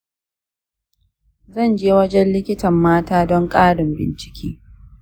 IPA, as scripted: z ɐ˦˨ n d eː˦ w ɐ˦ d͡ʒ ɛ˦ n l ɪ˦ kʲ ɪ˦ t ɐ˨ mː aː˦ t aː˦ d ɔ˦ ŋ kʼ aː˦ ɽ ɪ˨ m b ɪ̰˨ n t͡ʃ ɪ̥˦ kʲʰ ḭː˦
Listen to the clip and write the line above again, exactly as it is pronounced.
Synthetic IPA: z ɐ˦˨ n d͡ʒ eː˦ w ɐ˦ d͡ʒ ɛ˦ n l ɪ˦ kʲ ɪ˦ t ɐ˨ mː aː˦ t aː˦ d ɔ˦ ŋ kʼ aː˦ ɽ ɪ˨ m b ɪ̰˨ n t͡ʃ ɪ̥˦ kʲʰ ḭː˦